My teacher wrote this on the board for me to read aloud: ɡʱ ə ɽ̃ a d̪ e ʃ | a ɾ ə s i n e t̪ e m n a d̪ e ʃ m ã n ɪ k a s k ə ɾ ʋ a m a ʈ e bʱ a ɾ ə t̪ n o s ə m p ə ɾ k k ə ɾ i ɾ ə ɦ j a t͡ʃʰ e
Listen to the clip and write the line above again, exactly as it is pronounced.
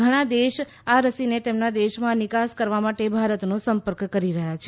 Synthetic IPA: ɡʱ ə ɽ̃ a d̪ e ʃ | a ɾ ə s i n e t̪ e m n a d̪ e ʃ m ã n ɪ k a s k ə ɾ ʋ a m a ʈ e bʱ a ɾ ə t̪ n o s ə m p ə ɾ k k ə ɾ i ɾ ə ɦ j a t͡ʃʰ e